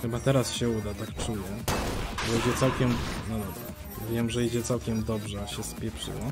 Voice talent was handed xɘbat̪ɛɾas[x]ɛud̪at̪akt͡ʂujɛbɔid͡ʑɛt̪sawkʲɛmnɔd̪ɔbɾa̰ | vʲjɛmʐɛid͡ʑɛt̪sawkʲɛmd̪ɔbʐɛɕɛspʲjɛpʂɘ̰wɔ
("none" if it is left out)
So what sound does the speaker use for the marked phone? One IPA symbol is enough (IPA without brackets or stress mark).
ɕ